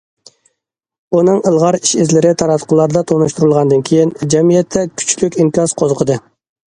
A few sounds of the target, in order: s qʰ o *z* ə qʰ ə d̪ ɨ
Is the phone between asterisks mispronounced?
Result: no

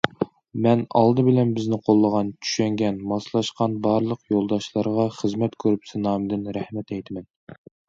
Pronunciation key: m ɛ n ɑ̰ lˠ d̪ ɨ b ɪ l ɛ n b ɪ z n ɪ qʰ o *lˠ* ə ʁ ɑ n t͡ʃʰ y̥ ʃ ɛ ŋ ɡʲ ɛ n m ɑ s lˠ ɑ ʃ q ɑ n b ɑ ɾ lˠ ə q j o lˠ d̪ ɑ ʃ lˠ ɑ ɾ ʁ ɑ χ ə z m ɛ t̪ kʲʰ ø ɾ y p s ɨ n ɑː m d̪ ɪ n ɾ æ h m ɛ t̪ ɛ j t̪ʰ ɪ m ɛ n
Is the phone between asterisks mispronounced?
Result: yes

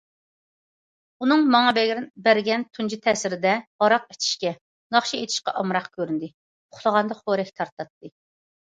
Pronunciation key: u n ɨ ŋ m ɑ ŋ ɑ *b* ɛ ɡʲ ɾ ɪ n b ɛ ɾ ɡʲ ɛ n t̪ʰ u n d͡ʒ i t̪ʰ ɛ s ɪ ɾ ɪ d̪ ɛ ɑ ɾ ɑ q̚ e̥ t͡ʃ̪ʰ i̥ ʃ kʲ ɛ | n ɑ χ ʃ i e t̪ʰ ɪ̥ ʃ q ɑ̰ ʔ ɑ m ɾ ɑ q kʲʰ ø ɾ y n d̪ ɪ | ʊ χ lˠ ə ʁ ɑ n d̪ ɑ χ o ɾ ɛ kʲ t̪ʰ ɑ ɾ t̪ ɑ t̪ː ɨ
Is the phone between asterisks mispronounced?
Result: no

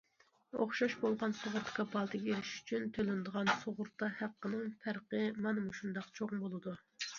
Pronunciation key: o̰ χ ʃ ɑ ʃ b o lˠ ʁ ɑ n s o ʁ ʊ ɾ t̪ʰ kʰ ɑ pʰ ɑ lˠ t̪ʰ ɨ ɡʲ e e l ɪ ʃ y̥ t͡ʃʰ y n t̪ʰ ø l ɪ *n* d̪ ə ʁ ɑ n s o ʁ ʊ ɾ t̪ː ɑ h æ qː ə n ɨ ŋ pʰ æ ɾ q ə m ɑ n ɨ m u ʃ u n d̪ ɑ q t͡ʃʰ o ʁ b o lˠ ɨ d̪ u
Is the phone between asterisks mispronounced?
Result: no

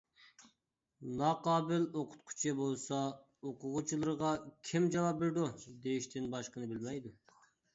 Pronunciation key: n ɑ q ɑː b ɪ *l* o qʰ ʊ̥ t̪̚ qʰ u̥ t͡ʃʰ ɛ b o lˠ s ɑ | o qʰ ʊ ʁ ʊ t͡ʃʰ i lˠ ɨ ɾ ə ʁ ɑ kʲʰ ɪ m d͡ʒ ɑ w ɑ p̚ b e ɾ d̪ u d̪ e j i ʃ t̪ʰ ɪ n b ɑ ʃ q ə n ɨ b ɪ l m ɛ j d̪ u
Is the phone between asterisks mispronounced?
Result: no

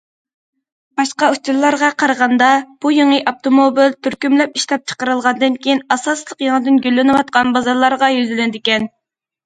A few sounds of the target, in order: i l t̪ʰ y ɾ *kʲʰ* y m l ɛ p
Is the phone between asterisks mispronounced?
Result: yes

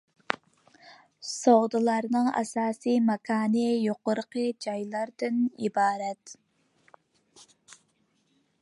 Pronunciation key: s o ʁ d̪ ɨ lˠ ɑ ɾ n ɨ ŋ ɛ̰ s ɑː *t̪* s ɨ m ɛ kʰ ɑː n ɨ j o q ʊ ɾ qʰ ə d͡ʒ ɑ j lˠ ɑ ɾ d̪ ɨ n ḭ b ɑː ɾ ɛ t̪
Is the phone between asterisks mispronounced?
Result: yes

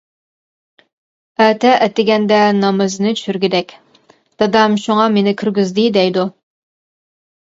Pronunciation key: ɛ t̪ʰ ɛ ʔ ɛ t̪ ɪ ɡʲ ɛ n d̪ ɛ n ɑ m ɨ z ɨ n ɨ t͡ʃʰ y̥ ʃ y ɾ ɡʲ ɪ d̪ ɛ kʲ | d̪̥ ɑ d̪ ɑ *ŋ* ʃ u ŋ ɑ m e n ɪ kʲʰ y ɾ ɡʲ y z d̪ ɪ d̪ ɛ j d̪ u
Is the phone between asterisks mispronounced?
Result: yes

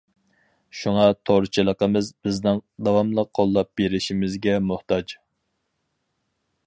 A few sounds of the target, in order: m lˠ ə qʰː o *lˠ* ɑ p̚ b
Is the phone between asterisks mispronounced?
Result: yes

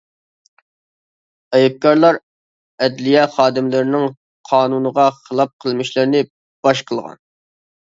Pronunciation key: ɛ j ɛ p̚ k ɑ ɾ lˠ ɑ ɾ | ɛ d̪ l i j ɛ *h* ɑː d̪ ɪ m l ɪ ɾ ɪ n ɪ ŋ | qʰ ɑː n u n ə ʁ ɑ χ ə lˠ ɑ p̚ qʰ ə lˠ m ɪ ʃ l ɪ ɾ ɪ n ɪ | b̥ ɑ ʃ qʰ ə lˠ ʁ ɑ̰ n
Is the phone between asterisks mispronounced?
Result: yes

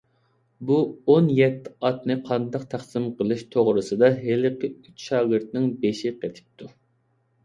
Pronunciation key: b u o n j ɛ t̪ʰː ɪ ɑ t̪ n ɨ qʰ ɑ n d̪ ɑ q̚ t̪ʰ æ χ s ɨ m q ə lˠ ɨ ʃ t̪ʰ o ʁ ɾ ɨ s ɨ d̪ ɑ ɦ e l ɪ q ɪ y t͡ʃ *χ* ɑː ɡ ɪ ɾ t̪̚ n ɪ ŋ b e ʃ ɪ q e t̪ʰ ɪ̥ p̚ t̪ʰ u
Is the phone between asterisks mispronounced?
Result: yes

